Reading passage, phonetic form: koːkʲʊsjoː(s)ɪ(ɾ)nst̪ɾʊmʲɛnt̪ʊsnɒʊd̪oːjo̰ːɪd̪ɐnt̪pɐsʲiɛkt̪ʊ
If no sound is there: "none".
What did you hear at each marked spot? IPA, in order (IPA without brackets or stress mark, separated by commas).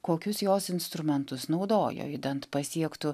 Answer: s, none